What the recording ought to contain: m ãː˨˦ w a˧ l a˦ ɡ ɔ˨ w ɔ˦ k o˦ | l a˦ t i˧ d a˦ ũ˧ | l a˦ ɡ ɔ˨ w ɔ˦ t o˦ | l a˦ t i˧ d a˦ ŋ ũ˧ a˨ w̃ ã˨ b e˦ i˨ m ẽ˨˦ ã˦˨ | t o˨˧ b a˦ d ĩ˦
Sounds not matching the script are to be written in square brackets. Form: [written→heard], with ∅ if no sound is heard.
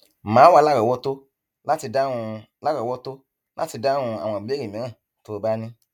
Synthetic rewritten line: m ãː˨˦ w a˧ l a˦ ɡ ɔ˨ w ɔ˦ [k→t] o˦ | l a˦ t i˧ d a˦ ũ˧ | l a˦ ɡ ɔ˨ w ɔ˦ t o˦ | l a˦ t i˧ d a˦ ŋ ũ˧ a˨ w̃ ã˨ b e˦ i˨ m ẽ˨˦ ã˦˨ | t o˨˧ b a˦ [d→n] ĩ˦